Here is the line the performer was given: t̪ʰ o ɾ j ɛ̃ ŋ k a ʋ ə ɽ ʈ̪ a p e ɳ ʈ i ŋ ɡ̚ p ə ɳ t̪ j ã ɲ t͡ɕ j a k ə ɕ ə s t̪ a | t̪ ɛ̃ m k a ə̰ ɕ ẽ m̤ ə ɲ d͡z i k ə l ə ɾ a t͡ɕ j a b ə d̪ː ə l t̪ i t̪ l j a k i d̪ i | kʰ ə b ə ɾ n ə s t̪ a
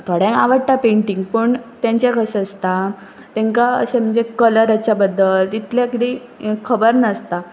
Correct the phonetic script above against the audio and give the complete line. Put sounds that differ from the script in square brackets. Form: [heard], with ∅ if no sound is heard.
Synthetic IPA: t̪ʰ o [ɽ] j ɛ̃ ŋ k a ʋ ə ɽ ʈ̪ a p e ɳ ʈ i ŋ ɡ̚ p ə ɳ t̪ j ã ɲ t͡ɕ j a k ə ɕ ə s t̪ a | t̪ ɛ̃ [ŋ] k a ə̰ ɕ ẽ m̤ ə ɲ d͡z [e] k ə l ə ɾ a t͡ɕ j a b ə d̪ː ə l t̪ i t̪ l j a k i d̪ i | kʰ ə b ə ɾ n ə s t̪ a

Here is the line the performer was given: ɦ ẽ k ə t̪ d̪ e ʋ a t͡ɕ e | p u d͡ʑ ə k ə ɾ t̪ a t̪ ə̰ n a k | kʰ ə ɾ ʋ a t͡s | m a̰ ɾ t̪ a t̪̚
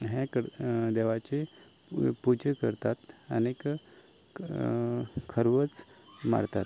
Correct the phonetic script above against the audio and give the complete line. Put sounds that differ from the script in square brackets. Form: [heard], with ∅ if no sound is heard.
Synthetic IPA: ɦ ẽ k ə [∅] d̪ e ʋ a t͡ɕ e | p u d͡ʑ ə k ə ɾ t̪ a t̪ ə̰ n [e] k | kʰ ə ɾ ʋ [ə] t͡s | m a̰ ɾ t̪ a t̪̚

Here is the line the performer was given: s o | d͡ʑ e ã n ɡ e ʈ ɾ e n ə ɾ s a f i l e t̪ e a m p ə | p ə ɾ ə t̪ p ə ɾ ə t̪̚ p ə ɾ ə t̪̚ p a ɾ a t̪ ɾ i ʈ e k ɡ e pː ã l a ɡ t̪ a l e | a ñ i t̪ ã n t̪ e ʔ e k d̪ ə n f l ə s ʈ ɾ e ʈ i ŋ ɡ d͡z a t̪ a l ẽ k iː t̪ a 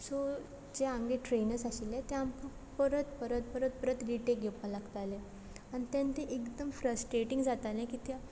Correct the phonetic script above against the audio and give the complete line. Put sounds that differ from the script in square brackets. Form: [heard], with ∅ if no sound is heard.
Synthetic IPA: s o | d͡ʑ e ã [ŋ] ɡ e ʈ ɾ e n ə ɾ s a [ɕ] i l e t̪ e a m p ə | p ə ɾ ə t̪ p ə ɾ ə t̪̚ p ə ɾ ə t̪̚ p [ə] ɾ [ə] t̪ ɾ i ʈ e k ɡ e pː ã l a ɡ t̪ a l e | a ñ i t̪ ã n t̪ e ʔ e k d̪ ə [m] f [ɾ] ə s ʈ ɾ e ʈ i ŋ ɡ d͡z a t̪ a l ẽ k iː t̪ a

